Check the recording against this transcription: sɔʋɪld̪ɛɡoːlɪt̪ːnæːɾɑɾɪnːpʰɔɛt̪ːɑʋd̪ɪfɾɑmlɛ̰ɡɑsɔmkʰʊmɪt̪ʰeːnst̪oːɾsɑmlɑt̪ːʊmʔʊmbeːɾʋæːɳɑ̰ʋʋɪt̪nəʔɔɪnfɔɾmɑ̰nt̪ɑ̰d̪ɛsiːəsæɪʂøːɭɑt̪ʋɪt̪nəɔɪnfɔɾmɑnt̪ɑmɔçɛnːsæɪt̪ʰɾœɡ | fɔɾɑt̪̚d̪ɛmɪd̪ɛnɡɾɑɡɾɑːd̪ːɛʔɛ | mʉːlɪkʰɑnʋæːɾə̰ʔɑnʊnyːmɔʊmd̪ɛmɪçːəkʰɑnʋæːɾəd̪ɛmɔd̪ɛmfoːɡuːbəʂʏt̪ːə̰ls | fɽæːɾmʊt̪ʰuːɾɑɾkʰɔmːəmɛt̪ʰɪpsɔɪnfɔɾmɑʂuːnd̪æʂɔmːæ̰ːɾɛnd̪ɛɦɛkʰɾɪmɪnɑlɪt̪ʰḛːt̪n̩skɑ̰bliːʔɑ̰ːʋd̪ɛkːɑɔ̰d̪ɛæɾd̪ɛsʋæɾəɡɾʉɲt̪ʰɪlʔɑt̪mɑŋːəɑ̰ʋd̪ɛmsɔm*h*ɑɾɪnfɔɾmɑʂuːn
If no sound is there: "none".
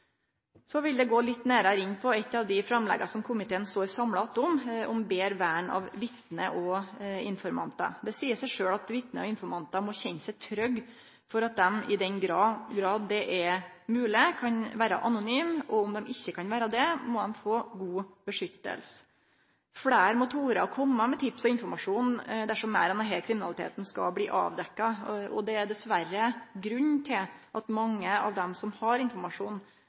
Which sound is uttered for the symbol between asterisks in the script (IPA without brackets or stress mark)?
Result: h